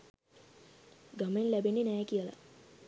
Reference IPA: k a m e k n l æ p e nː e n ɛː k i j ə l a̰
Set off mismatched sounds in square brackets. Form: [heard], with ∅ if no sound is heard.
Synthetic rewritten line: [ɡ] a m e [∅] n l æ [b] e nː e n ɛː k i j ə l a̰